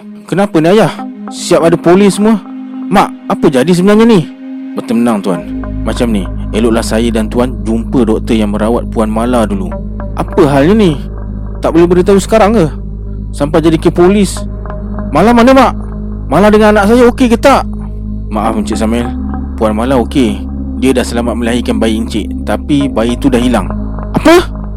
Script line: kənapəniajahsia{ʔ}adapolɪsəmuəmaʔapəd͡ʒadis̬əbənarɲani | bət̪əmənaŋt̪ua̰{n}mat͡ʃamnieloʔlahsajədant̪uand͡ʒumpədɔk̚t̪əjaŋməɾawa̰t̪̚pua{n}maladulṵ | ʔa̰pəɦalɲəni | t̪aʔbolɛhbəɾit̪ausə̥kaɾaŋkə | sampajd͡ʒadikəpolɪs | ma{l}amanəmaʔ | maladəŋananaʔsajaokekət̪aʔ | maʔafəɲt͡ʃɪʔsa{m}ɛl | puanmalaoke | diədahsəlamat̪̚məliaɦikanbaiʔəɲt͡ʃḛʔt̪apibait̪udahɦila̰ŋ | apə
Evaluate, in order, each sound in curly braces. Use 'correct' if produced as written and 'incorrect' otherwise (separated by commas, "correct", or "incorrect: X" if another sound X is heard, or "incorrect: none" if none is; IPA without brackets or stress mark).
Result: incorrect: p, correct, correct, correct, correct